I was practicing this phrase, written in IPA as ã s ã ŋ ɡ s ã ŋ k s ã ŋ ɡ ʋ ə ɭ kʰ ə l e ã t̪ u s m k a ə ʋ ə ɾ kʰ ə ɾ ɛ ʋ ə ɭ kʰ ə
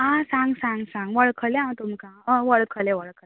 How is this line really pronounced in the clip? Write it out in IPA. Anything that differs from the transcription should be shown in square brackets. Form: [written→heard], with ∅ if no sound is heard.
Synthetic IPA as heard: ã s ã ŋ ɡ s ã ŋ [k→ɡ] s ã ŋ ɡ ʋ ə ɭ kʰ ə l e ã t̪ u [s→∅] m k a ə ʋ ə [ɾ→ɭ] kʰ ə [ɾ→l] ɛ ʋ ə ɭ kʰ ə